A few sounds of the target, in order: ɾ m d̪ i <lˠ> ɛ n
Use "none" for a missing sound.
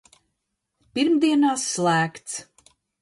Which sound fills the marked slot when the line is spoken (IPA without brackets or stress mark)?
none